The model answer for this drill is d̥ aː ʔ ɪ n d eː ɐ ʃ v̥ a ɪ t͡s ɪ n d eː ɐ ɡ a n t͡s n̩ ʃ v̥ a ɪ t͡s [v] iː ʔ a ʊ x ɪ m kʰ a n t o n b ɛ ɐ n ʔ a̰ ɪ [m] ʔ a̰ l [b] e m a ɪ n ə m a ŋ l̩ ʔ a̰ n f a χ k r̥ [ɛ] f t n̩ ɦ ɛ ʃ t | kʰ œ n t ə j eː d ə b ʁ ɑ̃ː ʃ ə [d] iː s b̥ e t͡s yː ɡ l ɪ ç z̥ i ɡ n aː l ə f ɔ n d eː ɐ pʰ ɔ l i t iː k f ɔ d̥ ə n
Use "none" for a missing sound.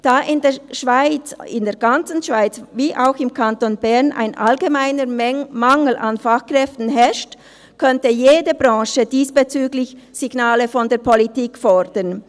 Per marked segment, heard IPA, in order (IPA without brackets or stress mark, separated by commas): v, n, ɡ, ɛ, d